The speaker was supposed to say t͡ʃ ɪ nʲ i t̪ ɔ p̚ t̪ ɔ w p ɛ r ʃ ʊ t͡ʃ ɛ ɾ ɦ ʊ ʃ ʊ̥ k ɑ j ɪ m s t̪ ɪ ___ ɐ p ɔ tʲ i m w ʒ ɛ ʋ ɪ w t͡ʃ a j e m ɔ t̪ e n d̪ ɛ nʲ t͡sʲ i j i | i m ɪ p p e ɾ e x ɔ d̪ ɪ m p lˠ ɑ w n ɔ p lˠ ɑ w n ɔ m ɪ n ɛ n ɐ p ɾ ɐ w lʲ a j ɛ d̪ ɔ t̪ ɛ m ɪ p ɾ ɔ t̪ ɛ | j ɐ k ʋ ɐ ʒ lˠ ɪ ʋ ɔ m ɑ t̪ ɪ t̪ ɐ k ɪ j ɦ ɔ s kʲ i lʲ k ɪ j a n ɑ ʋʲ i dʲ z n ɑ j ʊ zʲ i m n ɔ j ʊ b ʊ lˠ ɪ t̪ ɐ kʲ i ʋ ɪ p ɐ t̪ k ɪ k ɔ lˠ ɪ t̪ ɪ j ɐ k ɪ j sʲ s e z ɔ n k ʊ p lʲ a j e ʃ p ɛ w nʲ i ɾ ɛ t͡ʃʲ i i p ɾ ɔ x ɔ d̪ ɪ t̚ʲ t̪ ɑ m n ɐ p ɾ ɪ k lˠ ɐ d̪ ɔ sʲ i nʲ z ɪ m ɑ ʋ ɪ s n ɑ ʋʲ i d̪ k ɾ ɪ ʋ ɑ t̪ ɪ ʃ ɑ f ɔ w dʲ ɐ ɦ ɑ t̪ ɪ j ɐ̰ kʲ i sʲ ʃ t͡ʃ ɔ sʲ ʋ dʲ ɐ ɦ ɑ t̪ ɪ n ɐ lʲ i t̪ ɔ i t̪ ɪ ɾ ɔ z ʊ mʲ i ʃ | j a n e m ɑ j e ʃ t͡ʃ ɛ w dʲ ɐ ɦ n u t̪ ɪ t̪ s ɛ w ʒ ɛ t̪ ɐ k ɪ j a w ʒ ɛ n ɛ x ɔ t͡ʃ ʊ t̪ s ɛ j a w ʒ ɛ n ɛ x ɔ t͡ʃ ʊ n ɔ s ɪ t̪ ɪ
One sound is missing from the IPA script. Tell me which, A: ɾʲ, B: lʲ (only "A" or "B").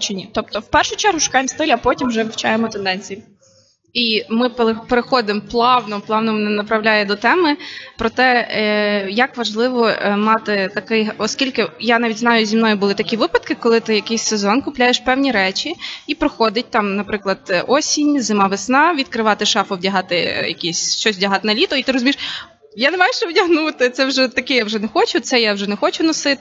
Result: B